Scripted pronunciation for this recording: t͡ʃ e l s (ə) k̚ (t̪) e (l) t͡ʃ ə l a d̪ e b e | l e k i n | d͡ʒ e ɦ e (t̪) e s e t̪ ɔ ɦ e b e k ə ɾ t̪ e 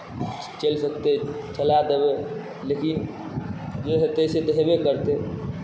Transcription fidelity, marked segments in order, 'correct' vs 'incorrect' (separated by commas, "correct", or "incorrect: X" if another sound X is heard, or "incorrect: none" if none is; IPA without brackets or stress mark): correct, correct, incorrect: none, correct